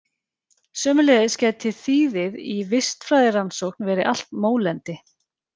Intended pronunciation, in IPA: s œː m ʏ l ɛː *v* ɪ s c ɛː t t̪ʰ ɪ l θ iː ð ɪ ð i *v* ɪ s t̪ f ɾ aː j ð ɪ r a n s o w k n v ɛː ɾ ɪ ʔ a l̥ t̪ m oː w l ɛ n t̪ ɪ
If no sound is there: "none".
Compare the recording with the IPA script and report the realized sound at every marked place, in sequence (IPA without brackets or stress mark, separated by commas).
ð, v